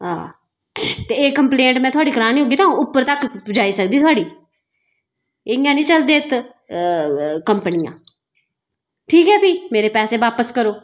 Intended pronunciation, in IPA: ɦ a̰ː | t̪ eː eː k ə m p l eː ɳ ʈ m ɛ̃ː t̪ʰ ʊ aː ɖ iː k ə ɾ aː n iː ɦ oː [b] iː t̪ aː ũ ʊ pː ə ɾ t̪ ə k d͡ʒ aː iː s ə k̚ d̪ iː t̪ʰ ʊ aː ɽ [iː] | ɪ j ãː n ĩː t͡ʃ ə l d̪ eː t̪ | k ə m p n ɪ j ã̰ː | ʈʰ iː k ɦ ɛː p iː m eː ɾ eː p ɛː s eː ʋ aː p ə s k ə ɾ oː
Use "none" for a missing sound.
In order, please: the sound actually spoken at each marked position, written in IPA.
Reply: ɡ, iː

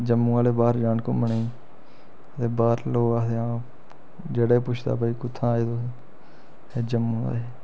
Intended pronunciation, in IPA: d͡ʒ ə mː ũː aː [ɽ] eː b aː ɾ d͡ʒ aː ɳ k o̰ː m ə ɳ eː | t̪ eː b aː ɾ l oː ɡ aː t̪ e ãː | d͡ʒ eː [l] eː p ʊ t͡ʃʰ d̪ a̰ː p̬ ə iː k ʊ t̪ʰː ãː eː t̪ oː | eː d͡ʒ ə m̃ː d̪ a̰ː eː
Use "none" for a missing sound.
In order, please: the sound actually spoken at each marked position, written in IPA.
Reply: l, ɽ

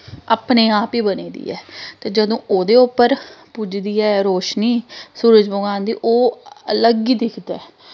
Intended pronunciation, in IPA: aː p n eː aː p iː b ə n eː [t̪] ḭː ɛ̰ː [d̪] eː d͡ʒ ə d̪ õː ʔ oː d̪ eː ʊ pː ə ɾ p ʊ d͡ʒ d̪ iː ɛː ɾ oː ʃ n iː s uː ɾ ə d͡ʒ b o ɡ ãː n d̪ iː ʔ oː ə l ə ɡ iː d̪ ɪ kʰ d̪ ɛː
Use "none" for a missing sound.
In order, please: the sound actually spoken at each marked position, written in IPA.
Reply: d̪, t̪

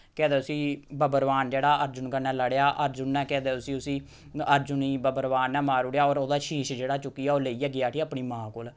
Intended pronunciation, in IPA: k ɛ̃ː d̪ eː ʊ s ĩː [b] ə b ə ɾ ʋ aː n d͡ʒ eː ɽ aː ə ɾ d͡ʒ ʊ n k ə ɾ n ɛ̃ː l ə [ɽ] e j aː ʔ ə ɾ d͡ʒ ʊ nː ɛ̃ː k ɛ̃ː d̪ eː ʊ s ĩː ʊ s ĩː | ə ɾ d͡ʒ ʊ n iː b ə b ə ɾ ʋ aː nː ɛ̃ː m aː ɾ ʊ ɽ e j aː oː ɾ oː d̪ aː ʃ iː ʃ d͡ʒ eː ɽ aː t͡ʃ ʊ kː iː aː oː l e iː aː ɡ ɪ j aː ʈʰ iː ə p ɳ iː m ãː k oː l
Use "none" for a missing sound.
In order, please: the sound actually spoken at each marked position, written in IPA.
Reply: b, ɽ

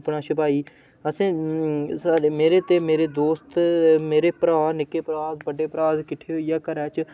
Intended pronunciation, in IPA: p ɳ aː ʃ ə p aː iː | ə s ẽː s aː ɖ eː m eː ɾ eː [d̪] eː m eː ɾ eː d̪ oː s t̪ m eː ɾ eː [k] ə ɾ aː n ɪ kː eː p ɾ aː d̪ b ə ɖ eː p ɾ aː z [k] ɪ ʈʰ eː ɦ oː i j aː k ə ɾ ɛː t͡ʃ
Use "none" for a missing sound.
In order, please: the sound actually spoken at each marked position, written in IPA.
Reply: t̪, p, k

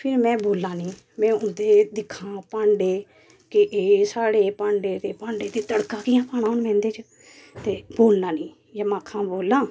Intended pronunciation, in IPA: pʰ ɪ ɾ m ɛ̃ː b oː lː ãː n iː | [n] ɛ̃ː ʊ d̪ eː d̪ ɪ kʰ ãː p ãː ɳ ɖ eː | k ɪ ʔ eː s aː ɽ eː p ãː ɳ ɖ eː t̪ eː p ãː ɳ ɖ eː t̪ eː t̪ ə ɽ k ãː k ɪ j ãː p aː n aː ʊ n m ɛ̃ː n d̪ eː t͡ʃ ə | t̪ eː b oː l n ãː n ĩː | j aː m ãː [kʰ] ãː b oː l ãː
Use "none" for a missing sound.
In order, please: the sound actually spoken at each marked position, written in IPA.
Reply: m, kʰ

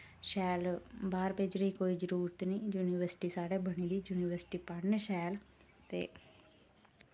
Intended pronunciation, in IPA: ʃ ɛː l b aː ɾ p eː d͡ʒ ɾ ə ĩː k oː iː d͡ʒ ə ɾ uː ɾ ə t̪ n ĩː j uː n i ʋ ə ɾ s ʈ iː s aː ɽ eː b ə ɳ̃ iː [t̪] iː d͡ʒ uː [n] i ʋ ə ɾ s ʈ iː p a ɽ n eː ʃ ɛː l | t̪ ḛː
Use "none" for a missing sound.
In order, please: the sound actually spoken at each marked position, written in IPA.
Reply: d̪, n

